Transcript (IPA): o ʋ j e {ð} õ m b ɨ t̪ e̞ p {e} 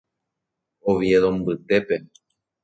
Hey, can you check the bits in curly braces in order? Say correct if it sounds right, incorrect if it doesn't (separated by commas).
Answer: correct, correct